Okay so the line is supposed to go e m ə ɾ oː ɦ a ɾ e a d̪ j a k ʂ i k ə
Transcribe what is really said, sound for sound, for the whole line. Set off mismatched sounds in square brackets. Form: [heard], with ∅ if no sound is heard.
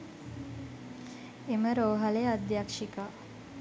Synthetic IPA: e m ə ɾ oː ɦ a [l] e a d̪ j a k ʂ i k [a]